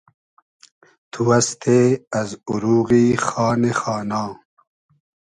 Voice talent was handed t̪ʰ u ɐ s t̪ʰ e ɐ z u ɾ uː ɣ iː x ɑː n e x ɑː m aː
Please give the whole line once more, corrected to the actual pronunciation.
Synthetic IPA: t̪ʰ u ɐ s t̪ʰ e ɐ z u ɾ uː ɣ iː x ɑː n e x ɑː n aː